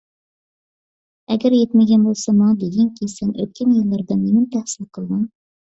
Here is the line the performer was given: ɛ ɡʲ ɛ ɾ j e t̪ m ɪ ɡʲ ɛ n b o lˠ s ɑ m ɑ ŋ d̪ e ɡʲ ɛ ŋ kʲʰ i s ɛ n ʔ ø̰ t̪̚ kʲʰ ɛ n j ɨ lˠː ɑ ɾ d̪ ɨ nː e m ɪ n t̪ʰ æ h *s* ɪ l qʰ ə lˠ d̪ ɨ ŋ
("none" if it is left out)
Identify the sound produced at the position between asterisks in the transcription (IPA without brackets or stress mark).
s